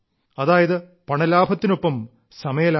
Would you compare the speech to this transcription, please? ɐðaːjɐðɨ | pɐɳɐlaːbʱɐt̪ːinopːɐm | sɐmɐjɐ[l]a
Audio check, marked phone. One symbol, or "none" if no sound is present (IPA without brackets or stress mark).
l